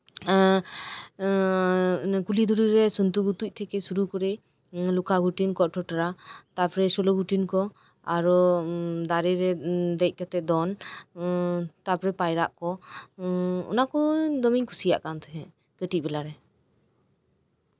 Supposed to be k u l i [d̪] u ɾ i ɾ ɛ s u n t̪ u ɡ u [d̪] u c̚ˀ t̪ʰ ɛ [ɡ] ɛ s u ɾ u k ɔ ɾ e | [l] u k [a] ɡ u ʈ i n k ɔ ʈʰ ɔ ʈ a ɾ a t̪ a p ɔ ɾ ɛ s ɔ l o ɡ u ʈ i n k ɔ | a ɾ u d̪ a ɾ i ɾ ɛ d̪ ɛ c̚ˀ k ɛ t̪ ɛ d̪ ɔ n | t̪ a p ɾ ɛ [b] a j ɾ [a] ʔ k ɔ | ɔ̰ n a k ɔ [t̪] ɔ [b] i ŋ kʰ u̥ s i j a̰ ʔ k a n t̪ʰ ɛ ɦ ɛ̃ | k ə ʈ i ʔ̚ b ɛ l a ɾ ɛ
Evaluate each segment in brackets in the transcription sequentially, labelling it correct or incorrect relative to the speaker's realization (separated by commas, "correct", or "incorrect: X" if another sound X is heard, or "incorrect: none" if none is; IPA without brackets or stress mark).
correct, incorrect: t̪, incorrect: k, correct, correct, incorrect: p, correct, incorrect: d̪, incorrect: m